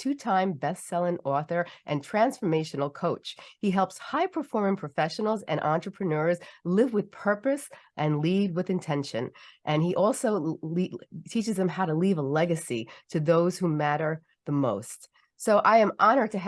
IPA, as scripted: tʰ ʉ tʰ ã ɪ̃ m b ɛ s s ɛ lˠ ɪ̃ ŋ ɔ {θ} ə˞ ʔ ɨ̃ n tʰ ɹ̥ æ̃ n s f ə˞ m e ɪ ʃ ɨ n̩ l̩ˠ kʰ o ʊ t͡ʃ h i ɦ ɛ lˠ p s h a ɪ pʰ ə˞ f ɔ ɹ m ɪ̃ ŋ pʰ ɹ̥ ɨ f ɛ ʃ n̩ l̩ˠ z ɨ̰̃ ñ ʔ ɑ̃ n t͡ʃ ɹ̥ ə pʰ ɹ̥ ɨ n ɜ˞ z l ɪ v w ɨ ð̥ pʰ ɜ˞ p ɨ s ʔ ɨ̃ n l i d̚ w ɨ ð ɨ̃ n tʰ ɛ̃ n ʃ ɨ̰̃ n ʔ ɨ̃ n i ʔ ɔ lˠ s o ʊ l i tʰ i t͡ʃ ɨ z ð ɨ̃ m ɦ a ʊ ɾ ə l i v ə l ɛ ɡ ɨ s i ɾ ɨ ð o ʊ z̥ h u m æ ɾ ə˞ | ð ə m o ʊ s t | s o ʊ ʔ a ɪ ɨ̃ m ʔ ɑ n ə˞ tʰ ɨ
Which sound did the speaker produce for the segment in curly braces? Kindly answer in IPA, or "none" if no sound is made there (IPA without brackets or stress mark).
θ